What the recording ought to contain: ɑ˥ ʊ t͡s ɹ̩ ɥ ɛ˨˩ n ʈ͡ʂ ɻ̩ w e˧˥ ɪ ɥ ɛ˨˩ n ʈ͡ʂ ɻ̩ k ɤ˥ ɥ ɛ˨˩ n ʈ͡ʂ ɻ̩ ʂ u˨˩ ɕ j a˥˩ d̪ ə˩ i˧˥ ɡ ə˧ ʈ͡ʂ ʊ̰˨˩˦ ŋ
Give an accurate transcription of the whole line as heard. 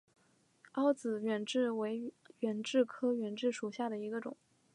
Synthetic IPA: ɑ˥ ʊ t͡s ɹ̩ ɥ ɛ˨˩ n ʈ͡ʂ ɻ̩ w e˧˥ ɪ ɥ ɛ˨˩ n ʈ͡ʂ ɻ̩ kʰ ɤ˥ ɥ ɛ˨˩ n ʈ͡ʂ ɻ̩ ʂ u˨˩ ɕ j a˥˩ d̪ ə˩ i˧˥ ɡ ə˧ ʈ͡ʂ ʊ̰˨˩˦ ŋ